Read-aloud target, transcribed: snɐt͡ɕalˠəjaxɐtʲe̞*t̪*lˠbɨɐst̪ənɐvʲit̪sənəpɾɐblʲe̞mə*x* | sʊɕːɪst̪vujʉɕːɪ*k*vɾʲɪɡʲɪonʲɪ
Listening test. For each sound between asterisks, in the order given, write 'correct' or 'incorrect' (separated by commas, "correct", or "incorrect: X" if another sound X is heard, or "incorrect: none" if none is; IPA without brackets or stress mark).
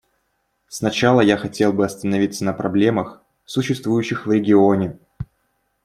incorrect: none, correct, incorrect: x